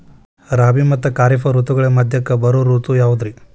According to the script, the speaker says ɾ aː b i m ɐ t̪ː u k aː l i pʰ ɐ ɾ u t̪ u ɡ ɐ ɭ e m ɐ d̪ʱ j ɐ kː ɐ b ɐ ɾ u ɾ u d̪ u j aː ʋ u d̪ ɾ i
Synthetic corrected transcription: ɾ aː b i m ɐ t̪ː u k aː ɾ i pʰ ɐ ɾ u t̪ u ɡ ɐ ɭ e m ɐ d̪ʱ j ɐ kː ɐ b ɐ ɾ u ɾ u t̪ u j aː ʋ u d̪ ɾ i